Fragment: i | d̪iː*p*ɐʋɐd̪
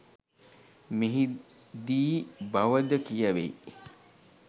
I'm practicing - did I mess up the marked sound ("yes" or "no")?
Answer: yes